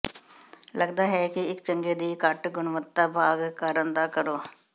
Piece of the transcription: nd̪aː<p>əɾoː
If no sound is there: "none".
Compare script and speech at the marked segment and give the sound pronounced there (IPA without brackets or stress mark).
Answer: k